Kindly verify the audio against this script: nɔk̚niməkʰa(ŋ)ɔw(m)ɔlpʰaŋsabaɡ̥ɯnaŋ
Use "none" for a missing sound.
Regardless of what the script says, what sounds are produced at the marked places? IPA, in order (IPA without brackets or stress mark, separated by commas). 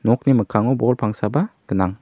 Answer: ŋ, b